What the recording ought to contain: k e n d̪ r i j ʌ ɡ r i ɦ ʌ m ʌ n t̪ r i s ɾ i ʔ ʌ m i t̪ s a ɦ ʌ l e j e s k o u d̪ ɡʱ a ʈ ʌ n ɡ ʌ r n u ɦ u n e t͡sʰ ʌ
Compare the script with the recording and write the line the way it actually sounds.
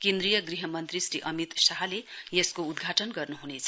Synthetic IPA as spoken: k e n d̪ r i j ʌ ɡ r i ɦ ʌ m ʌ n t̪ r i s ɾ i ʔ ʌ m i t̪ s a ɦ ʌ l e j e s k o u d̪ ɡʱ a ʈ ʌ n ɡ ʌ r n u ɦ u n e t͡sʰ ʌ